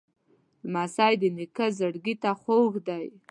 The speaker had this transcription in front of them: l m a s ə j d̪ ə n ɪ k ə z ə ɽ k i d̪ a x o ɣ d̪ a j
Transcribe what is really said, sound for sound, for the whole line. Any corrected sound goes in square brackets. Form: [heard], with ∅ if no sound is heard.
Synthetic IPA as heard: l m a s [ɑ] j d̪ ə n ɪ k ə z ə ɽ [ɡ] i [t̪] a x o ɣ d̪ a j